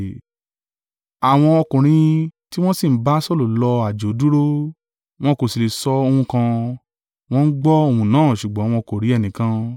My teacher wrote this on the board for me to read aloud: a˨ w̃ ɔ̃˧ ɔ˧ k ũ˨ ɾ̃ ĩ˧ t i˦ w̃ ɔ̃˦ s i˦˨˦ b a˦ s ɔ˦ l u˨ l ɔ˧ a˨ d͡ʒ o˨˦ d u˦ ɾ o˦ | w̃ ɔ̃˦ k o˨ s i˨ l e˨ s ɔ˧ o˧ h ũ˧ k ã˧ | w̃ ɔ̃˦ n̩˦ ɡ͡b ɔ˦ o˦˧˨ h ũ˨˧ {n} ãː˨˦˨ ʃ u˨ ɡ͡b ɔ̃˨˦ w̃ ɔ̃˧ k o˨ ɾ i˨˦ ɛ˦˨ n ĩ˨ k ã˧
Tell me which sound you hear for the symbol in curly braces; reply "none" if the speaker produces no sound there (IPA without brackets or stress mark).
n